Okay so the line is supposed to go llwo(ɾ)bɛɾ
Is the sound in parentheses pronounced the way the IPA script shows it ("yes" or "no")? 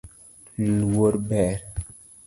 yes